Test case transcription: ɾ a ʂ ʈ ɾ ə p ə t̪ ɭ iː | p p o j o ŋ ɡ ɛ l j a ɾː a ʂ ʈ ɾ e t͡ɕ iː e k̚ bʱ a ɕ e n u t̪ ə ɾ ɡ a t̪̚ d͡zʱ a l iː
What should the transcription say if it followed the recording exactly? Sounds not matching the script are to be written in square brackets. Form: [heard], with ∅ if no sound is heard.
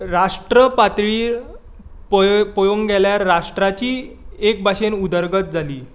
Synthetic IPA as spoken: ɾ a ʂ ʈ ɾ ə p [a] t̪ ɭ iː | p p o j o ŋ ɡ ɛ l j a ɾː a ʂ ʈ ɾ [a] t͡ɕ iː e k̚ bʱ a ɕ e n u [d̪] ə ɾ ɡ [ə] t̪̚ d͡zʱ a l iː